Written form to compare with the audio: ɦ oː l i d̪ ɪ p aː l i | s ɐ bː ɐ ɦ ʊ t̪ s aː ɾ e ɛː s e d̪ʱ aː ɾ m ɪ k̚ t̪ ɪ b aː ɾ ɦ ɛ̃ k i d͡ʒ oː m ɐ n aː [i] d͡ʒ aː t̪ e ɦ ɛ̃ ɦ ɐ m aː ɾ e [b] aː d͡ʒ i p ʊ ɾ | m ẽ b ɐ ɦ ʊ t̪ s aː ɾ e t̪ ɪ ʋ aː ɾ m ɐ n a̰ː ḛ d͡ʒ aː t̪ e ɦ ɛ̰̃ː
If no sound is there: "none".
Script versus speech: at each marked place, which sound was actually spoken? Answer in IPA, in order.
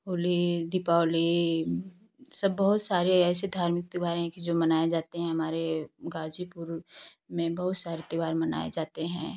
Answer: e, ɡ

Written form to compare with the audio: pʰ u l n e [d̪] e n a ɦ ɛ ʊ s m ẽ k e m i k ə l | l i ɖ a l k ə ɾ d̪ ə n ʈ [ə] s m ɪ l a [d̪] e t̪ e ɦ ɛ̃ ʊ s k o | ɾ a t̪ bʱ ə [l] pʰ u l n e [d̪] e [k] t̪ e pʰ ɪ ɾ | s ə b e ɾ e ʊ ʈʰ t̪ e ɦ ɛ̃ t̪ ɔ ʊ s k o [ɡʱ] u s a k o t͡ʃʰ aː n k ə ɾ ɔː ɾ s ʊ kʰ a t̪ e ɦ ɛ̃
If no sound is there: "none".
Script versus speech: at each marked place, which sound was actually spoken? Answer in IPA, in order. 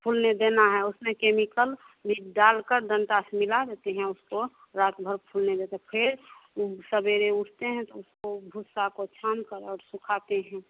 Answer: d̪, a, d̪, ɾ, d̪, none, bʱ

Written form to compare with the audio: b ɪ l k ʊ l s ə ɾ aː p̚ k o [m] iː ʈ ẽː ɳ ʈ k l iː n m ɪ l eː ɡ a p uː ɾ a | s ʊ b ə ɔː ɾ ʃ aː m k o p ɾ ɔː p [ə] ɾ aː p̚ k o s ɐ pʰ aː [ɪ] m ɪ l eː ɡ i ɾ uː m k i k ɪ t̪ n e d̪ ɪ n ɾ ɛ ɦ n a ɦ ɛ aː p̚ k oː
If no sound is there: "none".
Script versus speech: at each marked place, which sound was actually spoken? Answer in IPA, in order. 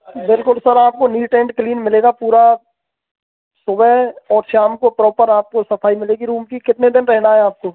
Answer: n, ə, i

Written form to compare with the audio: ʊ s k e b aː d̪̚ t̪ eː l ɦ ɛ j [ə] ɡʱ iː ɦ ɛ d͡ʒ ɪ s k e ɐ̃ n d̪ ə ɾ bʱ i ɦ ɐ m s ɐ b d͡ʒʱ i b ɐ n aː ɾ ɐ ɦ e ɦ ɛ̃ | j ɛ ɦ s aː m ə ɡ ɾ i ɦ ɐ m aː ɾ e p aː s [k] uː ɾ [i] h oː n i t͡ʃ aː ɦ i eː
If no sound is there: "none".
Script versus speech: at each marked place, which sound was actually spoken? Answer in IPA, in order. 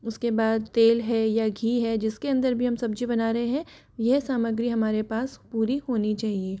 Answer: a, p, i

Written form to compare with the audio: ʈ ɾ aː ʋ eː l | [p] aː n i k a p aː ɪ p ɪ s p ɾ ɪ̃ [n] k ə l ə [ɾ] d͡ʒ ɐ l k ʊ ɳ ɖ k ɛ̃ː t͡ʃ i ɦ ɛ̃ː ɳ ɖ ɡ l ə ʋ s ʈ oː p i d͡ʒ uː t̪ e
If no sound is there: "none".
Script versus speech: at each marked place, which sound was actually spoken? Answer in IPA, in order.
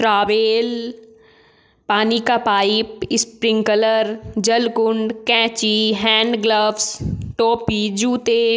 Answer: p, ŋ, ɾ

